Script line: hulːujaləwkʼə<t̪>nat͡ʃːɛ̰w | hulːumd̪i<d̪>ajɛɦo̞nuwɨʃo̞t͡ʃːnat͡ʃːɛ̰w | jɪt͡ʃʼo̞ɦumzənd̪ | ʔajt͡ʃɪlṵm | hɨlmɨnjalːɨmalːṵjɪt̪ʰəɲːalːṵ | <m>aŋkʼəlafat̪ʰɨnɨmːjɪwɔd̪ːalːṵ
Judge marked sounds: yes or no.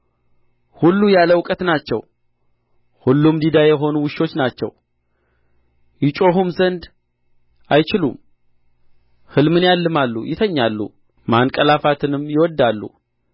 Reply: yes, yes, yes

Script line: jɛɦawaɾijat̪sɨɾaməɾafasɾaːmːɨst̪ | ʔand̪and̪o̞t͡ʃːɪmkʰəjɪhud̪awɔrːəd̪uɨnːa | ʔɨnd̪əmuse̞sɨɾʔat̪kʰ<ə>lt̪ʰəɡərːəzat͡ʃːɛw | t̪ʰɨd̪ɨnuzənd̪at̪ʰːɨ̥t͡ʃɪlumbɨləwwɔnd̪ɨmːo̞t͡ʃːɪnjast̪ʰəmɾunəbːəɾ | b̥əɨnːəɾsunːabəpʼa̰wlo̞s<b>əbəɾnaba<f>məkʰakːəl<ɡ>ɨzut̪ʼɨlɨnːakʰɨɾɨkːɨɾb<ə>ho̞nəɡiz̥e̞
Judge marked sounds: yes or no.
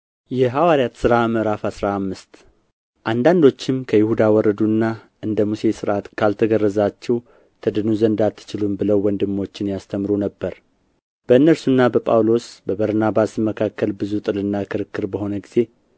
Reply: no, yes, no, no, yes

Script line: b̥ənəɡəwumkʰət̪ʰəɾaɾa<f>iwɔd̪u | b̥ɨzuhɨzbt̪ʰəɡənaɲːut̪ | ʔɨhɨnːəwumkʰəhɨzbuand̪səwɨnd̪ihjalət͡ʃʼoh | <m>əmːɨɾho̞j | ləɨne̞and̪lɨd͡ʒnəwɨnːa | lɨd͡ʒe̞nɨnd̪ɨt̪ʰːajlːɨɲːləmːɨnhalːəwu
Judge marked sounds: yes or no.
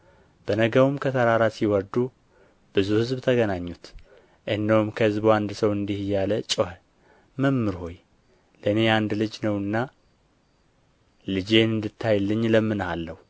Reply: no, yes

